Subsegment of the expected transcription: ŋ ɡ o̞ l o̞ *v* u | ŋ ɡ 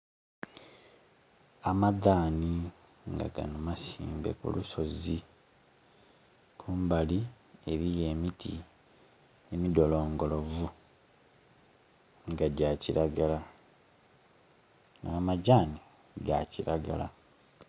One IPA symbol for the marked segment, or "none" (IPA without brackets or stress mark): v